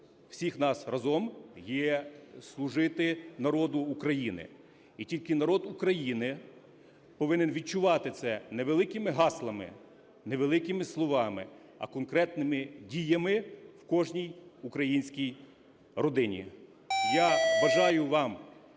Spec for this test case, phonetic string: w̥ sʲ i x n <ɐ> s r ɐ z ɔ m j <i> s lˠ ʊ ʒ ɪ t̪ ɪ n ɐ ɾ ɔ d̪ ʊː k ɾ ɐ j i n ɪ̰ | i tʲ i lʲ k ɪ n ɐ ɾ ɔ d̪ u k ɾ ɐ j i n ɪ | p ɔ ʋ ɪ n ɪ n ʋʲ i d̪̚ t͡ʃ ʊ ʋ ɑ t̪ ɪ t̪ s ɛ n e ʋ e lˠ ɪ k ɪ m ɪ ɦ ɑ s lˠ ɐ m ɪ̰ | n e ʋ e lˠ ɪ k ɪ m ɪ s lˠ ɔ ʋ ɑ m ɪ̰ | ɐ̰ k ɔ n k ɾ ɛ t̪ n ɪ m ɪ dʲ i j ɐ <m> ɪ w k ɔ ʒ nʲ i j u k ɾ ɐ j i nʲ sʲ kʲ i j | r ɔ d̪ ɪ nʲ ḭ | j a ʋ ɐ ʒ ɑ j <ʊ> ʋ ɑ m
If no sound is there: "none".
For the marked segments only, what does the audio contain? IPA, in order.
ɑ, ɛ, m, ʊ

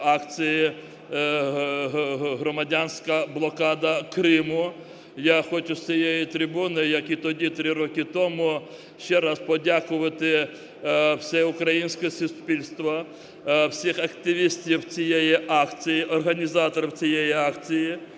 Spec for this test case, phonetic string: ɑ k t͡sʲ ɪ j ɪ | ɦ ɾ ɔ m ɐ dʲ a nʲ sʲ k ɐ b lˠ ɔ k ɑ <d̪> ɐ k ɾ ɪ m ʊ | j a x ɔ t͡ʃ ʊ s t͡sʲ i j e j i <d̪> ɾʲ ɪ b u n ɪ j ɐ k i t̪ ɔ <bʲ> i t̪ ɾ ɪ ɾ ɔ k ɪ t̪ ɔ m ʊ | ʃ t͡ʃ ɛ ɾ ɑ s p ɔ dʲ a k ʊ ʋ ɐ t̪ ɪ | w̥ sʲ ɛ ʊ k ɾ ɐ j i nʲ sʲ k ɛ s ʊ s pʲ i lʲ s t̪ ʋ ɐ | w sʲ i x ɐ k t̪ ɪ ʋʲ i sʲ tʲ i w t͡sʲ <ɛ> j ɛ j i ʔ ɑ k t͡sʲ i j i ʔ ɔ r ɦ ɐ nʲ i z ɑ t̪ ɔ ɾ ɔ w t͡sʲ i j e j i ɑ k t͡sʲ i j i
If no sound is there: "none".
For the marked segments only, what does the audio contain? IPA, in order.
d̪, t̪, dʲ, i

